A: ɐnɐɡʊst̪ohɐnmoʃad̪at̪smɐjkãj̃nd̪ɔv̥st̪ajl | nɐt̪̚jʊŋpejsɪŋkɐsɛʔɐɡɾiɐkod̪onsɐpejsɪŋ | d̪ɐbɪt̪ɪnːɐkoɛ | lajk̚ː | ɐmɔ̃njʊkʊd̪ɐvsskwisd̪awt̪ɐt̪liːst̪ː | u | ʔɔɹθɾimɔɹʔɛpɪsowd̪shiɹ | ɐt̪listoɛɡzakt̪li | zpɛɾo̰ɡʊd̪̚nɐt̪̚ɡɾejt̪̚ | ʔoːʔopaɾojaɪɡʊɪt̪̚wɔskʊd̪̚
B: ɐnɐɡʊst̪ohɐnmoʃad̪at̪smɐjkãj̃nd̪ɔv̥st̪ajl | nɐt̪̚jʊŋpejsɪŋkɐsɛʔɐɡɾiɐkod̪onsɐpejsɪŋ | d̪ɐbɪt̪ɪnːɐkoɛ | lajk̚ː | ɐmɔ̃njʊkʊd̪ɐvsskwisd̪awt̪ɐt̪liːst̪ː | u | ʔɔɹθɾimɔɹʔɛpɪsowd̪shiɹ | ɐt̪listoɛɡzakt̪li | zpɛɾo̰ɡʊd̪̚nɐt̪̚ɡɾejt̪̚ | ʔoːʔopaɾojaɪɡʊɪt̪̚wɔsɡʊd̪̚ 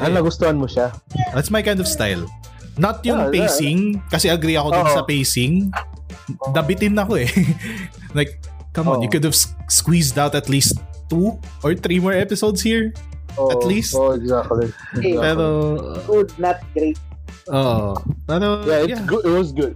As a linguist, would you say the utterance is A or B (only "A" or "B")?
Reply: B